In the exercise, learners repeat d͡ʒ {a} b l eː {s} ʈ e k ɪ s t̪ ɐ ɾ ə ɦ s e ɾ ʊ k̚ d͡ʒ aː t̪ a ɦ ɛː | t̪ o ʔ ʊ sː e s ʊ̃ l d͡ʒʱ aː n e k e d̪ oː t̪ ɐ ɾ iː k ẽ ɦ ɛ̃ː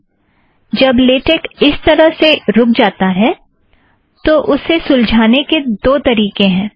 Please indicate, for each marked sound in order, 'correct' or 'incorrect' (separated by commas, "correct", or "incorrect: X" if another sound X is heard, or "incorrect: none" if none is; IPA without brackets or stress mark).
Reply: incorrect: ɐ, incorrect: none